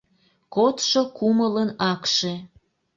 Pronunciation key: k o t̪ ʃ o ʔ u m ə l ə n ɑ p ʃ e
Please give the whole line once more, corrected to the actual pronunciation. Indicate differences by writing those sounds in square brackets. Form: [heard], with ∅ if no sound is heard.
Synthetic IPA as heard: k o t̪ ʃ o [k] u m ə l ə n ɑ [k] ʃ e